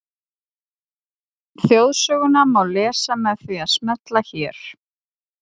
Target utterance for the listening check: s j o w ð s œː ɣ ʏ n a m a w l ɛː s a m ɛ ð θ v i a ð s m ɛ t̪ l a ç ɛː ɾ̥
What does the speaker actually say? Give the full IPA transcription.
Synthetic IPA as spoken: θ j o w ð s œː ɣ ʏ n a m a w l ɛː s a m ɛ ð θ v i a ð s m ɛ t̪ l a ç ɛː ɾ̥